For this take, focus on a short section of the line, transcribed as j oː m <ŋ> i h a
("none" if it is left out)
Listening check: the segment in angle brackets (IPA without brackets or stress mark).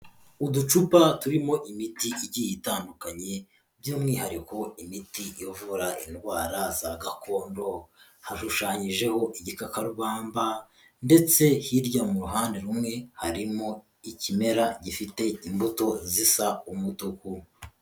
ŋ